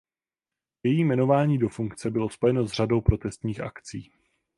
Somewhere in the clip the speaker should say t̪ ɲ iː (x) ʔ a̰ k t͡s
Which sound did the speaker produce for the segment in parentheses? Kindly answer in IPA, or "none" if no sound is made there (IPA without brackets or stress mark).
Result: x